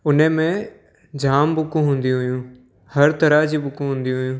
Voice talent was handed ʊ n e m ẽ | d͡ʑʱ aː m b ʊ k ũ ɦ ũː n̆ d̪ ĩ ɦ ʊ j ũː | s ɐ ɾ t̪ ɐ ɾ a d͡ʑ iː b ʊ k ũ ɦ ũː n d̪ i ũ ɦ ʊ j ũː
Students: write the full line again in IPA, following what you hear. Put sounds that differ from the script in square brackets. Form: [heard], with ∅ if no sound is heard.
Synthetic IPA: ʊ n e m ẽ | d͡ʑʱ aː m b ʊ k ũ ɦ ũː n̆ d̪ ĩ ɦ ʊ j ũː | [h] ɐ ɾ t̪ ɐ ɾ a d͡ʑ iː b ʊ k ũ ɦ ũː n d̪ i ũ ɦ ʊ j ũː

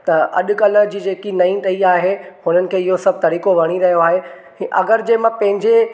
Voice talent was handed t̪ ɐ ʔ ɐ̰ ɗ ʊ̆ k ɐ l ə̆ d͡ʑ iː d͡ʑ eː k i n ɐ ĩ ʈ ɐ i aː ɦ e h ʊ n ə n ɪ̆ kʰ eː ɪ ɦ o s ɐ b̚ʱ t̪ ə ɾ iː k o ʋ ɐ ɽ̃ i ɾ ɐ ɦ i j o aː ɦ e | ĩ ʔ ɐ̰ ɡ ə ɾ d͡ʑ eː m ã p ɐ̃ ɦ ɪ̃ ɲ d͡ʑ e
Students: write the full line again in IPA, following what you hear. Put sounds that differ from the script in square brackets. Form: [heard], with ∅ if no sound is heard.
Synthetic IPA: t̪ ɐ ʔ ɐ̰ ɗ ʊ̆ k ɐ l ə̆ d͡ʑ iː d͡ʑ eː k i n ɐ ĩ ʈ ɐ i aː ɦ e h ʊ n ə n ɪ̆ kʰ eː ɪ ɦ o s ɐ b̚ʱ t̪ [ɐ] ɾ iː k o ʋ ɐ ɽ̃ i ɾ ɐ ɦ i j o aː ɦ e | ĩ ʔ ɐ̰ ɡ ə ɾ d͡ʑ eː m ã p ɐ̃ ɦ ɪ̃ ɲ d͡ʑ e

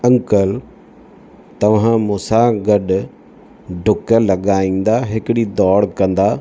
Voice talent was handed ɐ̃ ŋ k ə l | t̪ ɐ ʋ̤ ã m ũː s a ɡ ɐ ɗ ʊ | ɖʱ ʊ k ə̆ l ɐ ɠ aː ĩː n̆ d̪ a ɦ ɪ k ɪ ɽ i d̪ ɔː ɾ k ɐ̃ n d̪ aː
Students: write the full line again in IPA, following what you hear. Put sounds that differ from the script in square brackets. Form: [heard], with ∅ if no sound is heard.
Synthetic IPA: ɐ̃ ŋ k ə l | t̪ ɐ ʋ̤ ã m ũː s a ɡ ɐ ɗ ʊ | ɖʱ ʊ k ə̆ l ɐ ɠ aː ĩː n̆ d̪ a ɦ ɪ k ɪ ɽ i d̪ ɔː [ɽ] k ɐ̃ n d̪ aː

